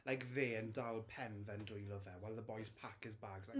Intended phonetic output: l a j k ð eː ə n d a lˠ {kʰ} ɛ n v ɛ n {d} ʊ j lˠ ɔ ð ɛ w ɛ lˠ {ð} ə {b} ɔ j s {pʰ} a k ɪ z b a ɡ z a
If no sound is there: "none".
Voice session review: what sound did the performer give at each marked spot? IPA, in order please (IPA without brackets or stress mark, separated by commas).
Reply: pʰ, d, ð, b, pʰ